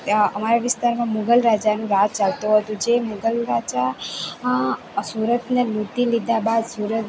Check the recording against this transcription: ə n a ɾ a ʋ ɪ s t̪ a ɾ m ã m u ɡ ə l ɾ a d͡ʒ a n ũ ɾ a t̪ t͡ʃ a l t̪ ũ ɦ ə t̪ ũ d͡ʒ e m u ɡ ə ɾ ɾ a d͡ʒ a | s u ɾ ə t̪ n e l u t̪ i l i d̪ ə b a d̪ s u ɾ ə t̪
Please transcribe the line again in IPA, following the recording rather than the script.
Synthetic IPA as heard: ə m a ɾ a ʋ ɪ s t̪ a ɾ m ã m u ɡ ə l ɾ a d͡ʒ a n ũ ɾ a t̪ t͡ʃ a l t̪ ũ ɦ ə t̪ ũ d͡ʒ e m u ɡ ə l ɾ a d͡ʒ a | s u ɾ ə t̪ n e l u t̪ i l i d̪ a b a d̪ s u ɾ ə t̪